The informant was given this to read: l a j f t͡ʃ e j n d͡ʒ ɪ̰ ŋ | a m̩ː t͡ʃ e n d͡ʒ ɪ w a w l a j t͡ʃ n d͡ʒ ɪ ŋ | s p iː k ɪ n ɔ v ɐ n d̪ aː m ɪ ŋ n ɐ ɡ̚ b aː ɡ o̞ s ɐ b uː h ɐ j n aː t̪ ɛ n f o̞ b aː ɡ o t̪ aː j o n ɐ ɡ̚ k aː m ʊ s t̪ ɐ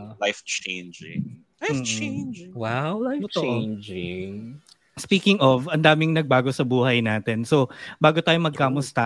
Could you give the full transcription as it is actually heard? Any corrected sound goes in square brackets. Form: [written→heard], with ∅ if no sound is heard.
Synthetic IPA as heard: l a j f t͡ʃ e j n d͡ʒ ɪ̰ ŋ | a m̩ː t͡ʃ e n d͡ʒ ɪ w a w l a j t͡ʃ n d͡ʒ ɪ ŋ | s p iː k ɪ [n→ŋ] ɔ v ɐ n d̪ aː m ɪ ŋ n ɐ ɡ̚ b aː ɡ o̞ s ɐ b uː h ɐ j n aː t̪ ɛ n [f→s] o̞ b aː ɡ o t̪ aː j o [n→m] ɐ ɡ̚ k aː m ʊ s t̪ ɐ